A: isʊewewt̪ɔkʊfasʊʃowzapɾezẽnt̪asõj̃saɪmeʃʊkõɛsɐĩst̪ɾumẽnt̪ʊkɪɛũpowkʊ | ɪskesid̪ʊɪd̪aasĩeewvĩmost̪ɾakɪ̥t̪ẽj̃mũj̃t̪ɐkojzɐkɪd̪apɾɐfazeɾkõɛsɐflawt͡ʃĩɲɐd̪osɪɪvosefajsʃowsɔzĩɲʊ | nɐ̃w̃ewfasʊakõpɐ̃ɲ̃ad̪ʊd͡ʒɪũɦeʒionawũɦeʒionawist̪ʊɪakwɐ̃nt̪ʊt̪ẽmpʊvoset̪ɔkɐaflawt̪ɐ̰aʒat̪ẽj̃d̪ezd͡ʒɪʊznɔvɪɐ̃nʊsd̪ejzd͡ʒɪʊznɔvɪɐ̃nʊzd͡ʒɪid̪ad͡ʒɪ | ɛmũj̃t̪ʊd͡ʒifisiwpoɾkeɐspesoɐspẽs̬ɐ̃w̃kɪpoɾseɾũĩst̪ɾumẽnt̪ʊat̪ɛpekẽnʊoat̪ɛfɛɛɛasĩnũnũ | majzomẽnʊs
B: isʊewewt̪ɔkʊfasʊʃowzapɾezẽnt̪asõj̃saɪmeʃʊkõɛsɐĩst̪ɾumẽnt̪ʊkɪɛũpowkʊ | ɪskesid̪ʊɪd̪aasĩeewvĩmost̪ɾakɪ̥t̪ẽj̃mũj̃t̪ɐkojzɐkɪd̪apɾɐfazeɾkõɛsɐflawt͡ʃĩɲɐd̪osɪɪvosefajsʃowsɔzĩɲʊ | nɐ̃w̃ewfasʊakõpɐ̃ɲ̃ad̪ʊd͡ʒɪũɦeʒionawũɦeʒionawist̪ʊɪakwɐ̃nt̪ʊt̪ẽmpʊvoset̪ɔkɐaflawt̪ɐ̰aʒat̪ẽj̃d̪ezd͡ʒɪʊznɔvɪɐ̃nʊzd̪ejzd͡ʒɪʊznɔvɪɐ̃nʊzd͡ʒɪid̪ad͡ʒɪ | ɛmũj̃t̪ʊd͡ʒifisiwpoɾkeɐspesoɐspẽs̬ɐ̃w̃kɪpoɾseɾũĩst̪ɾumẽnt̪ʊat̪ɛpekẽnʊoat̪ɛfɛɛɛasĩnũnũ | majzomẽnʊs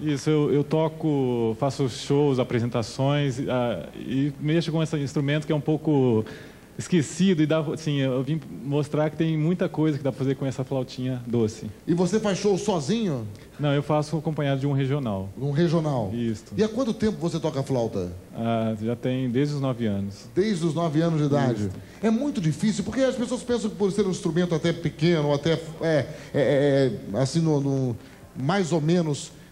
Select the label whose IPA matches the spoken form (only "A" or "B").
A